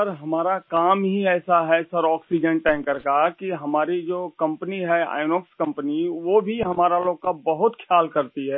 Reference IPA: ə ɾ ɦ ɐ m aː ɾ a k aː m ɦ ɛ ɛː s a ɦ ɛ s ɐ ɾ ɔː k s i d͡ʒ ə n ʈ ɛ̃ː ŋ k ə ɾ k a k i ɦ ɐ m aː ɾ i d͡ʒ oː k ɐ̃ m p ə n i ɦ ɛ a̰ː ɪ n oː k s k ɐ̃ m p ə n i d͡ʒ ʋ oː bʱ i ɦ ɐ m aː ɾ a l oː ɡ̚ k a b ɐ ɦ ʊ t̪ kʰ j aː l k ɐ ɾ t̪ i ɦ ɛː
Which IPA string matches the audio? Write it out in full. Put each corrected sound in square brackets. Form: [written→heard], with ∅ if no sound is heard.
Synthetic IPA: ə ɾ ɦ ɐ m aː ɾ a k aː m ɦ [ɛ→i] ɛː s a ɦ ɛ s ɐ ɾ ɔː k s i d͡ʒ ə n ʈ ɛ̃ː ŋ k ə ɾ k a k i ɦ ɐ m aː ɾ i d͡ʒ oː k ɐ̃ m p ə n i ɦ ɛ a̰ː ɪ n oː k s k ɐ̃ m p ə n i [d͡ʒ→∅] ʋ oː bʱ i ɦ ɐ m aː ɾ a l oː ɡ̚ k a b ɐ ɦ ʊ t̪ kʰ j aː l k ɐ ɾ t̪ i ɦ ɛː